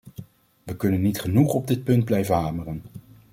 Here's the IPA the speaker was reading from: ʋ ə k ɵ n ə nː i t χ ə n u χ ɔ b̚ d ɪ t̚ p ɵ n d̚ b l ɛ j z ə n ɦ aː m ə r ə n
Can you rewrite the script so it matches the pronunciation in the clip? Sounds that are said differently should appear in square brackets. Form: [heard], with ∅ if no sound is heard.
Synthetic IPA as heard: ʋ ə k ɵ n ə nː i t χ ə n u χ ɔ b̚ d ɪ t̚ p ɵ n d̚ b l ɛ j [v] ə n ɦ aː m ə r ə n